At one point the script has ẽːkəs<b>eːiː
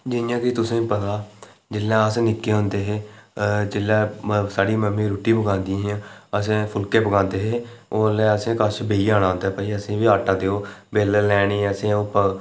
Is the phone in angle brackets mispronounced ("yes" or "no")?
no